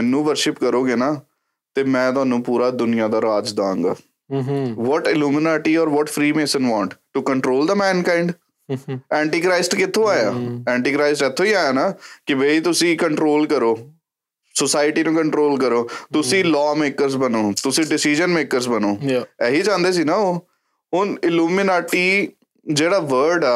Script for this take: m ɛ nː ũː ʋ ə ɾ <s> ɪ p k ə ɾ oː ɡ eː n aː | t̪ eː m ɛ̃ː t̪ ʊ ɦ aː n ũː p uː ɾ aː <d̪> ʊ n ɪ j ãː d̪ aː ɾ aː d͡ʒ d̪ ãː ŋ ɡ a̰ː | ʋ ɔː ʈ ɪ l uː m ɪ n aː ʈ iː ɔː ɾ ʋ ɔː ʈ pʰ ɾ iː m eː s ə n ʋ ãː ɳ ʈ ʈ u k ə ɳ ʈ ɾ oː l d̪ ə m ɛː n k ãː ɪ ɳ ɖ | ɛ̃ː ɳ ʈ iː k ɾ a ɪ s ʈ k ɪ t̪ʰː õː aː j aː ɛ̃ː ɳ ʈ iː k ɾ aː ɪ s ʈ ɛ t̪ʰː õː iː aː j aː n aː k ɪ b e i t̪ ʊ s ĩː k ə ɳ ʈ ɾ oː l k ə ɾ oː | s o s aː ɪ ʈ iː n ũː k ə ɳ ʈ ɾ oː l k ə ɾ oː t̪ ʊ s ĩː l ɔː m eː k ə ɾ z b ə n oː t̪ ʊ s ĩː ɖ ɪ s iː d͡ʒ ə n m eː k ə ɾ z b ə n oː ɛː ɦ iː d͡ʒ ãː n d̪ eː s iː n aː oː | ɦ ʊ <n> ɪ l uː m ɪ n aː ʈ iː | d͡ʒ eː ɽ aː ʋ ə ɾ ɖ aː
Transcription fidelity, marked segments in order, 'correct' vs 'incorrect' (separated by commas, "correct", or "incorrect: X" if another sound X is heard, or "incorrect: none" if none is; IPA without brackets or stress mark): incorrect: ʃ, correct, correct